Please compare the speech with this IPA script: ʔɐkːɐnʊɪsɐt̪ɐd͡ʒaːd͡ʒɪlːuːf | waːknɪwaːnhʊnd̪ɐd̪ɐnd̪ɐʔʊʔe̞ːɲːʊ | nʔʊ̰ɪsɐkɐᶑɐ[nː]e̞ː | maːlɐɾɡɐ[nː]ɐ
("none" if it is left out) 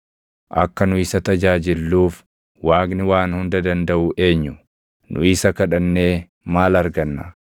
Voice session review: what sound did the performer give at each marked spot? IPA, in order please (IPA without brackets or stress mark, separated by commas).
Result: nː, nː